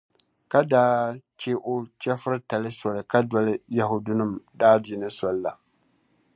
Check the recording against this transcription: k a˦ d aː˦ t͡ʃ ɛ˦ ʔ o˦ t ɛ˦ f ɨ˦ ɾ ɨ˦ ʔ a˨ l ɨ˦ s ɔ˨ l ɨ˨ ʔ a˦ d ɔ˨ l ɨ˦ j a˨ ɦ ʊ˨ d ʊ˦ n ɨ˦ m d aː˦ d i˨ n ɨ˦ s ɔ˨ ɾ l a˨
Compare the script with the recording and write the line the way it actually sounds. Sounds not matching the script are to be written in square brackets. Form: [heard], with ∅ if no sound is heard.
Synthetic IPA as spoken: k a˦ d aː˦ t͡ʃ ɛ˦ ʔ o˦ [t͡ʃ] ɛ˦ f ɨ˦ ɾ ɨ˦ [t] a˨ l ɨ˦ s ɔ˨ l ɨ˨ [k] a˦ d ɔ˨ l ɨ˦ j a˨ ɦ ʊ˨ d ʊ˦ n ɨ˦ m d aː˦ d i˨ n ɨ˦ s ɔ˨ [l] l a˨